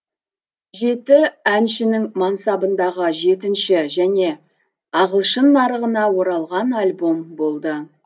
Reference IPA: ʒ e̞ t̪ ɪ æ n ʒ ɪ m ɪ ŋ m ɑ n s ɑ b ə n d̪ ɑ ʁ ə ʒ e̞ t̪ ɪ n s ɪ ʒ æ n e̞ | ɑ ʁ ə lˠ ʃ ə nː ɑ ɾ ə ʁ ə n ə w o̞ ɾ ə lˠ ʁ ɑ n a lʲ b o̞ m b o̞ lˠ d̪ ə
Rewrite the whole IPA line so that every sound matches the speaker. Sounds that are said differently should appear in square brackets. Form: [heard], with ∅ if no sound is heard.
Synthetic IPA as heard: ʒ e̞ t̪ ɪ æ n [ʃ] ɪ [n] ɪ ŋ m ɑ n s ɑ b ə n d̪ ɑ ʁ ə ʒ e̞ t̪ ɪ n [ʃ] ɪ ʒ æ n e̞ | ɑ ʁ ə lˠ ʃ ə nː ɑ ɾ ə ʁ ə n [ɑ] w o̞ ɾ [ɑ] lˠ ʁ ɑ n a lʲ b o̞ m b o̞ lˠ d̪ ə

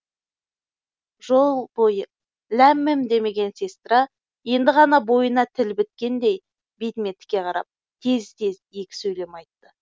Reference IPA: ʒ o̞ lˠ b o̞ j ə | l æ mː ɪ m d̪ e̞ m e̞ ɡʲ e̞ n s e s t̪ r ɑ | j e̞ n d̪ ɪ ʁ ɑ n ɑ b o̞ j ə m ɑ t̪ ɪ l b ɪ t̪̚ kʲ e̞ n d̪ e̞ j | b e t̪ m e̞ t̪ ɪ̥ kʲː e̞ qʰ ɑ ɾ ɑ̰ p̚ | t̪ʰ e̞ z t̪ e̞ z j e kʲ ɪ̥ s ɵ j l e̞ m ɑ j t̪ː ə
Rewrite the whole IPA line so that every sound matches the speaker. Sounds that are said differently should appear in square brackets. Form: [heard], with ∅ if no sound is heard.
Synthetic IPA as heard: ʒ o̞ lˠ b o̞ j ə | l æ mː ɪ m d̪ e̞ m e̞ ɡʲ e̞ n s e s t̪ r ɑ | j e̞ n d̪ ɪ ʁ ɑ n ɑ b o̞ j ə [n] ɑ [t̪ʰ] ɪ l b ɪ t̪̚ kʲ e̞ n d̪ e̞ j | b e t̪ m e̞ t̪ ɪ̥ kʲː e̞ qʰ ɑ ɾ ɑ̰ p̚ | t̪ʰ e̞ z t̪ e̞ z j e kʲ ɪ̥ s ɵ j l e̞ m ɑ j t̪ː ə

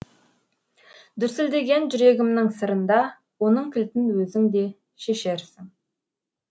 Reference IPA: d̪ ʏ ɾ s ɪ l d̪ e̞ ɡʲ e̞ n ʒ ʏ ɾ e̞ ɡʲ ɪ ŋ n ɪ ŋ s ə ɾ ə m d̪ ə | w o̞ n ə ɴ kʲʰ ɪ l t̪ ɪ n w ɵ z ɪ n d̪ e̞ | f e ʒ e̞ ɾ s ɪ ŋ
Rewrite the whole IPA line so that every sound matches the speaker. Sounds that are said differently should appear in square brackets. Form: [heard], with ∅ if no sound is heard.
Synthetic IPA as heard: d̪ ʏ ɾ s ɪ l d̪ e̞ ɡʲ e̞ n ʒ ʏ ɾ e̞ ɡʲ ɪ [m] n ɪ ŋ s ə ɾ ə [n] d̪ [ɑ] | w o̞ n ə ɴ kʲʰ ɪ l t̪ ɪ n w ɵ z ɪ [ŋ] d̪ e̞ | [ʃ] e [ʃ] e̞ ɾ s ɪ ŋ

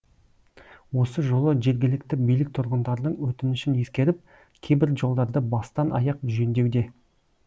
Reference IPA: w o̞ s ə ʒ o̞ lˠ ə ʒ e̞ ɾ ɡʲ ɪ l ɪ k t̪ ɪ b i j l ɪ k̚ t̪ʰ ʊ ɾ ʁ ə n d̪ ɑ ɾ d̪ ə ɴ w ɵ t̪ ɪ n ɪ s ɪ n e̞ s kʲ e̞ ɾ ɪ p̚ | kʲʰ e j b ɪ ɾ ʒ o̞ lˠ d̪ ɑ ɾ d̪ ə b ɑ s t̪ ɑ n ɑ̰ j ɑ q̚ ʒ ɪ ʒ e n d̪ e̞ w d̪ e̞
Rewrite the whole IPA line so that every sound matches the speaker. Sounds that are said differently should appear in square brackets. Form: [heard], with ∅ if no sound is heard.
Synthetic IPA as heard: w o̞ s ə ʒ o̞ lˠ ə ʒ e̞ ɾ ɡʲ ɪ l ɪ k t̪ ɪ b i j l ɪ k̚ t̪ʰ ʊ ɾ ʁ ə n d̪ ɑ ɾ d̪ ə ɴ w ɵ t̪ ɪ n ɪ [ʃ] ɪ n e̞ s kʲ e̞ ɾ ɪ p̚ | kʲʰ e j b ɪ ɾ ʒ o̞ lˠ d̪ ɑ ɾ d̪ ə b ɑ s t̪ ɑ n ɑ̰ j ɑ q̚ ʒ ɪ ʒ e n d̪ e̞ w d̪ e̞

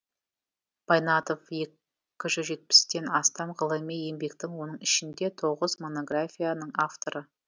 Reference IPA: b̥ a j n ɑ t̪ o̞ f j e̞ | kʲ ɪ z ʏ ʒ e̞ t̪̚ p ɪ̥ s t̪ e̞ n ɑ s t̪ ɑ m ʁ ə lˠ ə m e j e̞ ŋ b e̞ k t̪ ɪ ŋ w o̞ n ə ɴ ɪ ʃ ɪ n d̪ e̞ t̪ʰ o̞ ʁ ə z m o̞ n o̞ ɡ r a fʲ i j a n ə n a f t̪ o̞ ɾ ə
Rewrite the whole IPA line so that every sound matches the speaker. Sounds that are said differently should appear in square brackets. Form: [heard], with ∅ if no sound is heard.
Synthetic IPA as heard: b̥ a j n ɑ t̪ o̞ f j e̞ | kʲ ɪ [ʒ] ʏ ʒ e̞ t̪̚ p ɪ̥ s t̪ e̞ n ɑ s t̪ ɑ m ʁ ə lˠ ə m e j e̞ [m] b e̞ k t̪ ɪ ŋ w o̞ n ə ɴ ɪ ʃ ɪ n d̪ e̞ t̪ʰ o̞ ʁ ə z m o̞ n o̞ ɡ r a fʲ i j a n ə [ɴ] a f t̪ o̞ ɾ ə

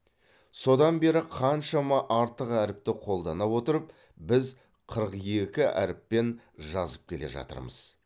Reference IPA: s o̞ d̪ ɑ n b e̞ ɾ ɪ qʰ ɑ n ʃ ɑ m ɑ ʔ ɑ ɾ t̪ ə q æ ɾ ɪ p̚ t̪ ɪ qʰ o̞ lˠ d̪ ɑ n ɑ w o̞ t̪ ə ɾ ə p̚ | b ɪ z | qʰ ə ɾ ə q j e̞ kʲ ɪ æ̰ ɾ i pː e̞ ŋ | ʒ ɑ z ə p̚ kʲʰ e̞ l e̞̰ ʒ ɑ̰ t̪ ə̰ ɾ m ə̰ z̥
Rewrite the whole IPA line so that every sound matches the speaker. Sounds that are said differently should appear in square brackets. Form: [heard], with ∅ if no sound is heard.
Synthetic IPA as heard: s o̞ d̪ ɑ n b e̞ ɾ ɪ qʰ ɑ n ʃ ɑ m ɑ ʔ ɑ ɾ t̪ ə q æ ɾ ɪ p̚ t̪ ɪ qʰ o̞ lˠ d̪ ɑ n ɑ w o̞ t̪ ə ɾ ə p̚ | b ɪ z | qʰ ə ɾ ə q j e̞ kʲ ɪ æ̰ ɾ [ɪ] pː e̞ [n] | ʒ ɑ z ə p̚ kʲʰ e̞ l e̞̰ ʒ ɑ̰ t̪ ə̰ ɾ m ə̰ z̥

